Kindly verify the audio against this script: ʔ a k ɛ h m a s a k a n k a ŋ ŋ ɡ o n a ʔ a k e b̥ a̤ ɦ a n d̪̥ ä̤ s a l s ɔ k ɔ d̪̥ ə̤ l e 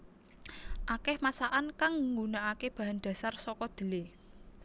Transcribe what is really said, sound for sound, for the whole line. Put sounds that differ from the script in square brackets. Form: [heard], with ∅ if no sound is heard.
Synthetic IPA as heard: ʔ a k ɛ h m a s a [ʔ] a n k a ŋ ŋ ɡ [u] n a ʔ a k e b̥ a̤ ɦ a n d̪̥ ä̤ s a [r] s ɔ k ɔ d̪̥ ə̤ l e